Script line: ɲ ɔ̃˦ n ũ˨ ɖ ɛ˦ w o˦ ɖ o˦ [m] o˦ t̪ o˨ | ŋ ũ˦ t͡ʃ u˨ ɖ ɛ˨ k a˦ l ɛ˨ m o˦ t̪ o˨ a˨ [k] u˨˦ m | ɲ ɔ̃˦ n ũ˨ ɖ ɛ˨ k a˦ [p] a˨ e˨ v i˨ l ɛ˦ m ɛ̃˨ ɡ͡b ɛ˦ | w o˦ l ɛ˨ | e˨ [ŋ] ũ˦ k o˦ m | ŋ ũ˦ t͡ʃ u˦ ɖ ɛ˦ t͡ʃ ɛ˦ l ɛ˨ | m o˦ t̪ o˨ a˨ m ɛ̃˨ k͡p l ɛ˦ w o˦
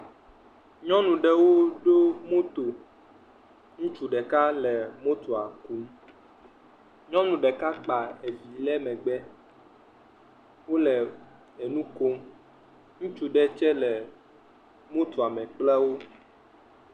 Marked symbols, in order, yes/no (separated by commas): yes, yes, no, no